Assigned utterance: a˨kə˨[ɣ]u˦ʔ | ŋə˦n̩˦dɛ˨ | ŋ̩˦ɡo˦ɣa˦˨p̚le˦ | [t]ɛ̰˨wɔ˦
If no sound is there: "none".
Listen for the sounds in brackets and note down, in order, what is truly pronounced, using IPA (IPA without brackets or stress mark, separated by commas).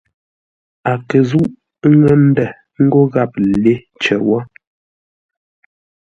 z, t͡ʃ